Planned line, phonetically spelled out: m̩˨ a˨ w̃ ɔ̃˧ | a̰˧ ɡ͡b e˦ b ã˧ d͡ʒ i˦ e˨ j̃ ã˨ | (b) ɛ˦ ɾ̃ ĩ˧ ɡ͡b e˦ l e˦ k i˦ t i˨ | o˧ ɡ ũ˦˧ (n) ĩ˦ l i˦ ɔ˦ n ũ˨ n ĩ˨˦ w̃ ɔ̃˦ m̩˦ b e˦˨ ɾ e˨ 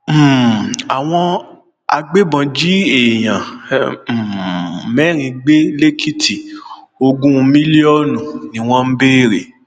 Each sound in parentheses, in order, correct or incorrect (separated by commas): incorrect, incorrect